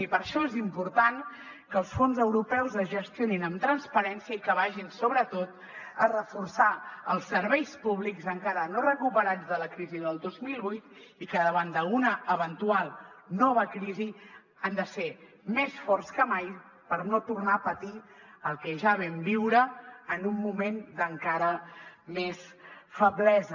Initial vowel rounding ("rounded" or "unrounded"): unrounded